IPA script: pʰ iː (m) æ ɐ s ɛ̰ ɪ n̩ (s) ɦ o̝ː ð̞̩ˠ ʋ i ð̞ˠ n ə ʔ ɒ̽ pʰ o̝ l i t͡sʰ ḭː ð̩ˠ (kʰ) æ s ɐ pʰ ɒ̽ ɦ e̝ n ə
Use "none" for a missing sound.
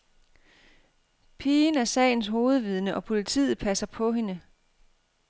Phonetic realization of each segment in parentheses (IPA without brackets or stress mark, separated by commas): n, s, pʰ